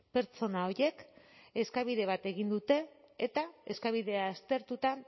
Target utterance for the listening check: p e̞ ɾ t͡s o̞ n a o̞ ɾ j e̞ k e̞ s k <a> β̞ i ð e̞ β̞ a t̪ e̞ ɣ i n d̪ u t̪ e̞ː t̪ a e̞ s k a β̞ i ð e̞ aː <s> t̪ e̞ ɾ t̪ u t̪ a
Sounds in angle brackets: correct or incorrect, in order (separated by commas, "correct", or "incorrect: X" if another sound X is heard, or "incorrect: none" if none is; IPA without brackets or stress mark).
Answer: correct, correct